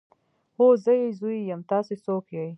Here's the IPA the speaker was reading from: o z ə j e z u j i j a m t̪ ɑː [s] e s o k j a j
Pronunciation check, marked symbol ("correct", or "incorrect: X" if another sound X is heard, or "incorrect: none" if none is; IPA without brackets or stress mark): correct